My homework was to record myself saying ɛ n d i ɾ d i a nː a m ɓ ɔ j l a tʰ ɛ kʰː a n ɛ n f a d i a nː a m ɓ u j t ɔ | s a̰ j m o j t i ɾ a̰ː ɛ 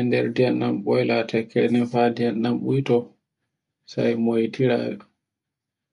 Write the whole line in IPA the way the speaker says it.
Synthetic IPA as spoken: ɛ n d ɛ ɾ d i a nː a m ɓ ɔ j l a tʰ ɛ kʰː ɛ n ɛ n f a d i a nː a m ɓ u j t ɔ | s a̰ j m o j t i ɾ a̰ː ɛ